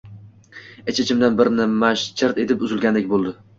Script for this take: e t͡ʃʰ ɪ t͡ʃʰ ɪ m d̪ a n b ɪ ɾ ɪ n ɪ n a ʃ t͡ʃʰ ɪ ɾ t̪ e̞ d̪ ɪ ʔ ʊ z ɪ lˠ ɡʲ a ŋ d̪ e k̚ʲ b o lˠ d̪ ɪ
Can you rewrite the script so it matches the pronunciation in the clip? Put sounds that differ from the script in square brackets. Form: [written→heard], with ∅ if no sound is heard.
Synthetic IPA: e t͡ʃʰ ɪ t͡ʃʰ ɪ m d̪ a n b ɪ ɾ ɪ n ɪ [n→m] a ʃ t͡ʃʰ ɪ ɾ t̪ e̞ [d̪→t̪] ɪ [ʔ→p] ʊ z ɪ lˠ ɡʲ a [ŋ→n] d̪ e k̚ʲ b o lˠ d̪ ɪ

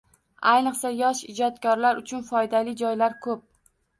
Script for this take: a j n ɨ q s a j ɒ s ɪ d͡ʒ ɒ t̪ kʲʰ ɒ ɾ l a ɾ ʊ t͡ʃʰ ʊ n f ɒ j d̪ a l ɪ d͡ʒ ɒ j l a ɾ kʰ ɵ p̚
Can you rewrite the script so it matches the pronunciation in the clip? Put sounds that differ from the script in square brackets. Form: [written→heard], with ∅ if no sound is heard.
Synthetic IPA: a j n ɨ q s a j ɒ [s→ʃ] ɪ d͡ʒ ɒ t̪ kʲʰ ɒ ɾ l a ɾ ʊ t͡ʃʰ ʊ n f ɒ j d̪ a l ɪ d͡ʒ ɒ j l a ɾ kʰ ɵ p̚

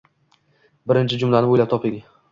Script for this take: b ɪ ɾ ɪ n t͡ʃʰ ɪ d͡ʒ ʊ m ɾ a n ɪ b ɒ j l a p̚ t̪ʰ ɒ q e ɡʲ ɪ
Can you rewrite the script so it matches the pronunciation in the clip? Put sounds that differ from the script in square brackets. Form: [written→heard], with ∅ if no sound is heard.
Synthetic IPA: b ɪ ɾ ɪ n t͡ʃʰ ɪ d͡ʒ ʊ m [ɾ→l] a n ɪ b [ɒ→o] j l a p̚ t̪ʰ ɒ [q→p] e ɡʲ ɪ

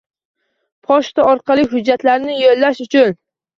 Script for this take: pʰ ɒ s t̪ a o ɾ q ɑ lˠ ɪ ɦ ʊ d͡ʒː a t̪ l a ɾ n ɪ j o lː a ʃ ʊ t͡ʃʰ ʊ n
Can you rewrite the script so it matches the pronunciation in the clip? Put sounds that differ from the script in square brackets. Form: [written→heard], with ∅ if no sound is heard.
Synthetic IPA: pʰ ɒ [s→ʃ] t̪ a [o→ɒ] ɾ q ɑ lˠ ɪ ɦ ʊ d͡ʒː a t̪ l a ɾ n ɪ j o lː a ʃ ʊ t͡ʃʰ ʊ n

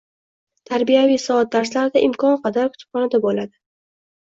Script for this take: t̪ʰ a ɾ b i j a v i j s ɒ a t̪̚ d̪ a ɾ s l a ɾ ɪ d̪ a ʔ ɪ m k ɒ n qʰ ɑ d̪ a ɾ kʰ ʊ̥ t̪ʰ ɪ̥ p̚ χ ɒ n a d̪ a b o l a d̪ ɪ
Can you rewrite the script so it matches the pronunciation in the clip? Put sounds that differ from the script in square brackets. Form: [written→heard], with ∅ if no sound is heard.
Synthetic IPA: t̪ʰ a ɾ b i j a v i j s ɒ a t̪̚ d̪ a ɾ s l a ɾ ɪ d̪ a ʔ ɪ m k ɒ n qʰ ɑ d̪ a ɾ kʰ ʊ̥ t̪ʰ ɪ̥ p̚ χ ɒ n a d̪ a b o l a d̪ ɪ

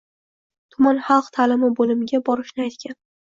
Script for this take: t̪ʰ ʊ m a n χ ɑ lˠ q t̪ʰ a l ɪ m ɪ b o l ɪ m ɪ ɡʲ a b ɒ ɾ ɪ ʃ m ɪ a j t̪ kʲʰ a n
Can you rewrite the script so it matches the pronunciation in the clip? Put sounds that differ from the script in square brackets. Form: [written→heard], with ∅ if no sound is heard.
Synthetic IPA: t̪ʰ ʊ m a n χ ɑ lˠ q t̪ʰ a l ɪ m ɪ b o l ɪ m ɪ ɡʲ a b ɒ ɾ ɪ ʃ [m→n] ɪ a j t̪ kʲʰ a n

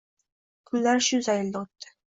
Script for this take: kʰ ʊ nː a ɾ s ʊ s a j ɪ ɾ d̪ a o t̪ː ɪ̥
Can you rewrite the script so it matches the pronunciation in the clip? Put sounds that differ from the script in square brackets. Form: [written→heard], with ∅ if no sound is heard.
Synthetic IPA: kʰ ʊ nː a ɾ [s→ʃ] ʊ [s→z] a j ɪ [ɾ→l] d̪ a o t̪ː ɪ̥

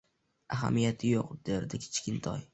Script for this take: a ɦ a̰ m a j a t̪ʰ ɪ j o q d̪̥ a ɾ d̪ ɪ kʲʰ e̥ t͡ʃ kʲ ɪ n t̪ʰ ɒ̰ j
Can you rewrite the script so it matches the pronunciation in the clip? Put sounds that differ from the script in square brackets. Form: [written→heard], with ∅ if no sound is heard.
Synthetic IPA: a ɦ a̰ m [a→i] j a t̪ʰ ɪ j o q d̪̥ [a→e] ɾ d̪ ɪ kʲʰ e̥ t͡ʃ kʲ ɪ n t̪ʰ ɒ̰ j

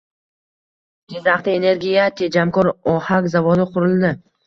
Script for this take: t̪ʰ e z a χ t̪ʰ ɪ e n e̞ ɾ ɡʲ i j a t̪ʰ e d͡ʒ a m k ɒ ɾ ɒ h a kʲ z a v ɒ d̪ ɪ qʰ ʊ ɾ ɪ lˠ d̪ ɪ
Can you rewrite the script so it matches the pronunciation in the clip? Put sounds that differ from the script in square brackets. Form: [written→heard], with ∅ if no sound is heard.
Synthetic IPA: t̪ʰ e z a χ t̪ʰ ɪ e n e̞ ɾ ɡʲ i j a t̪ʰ e d͡ʒ a m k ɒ ɾ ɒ h a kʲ z a v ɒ d̪ ɪ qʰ ʊ ɾ ɪ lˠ d̪ ɪ

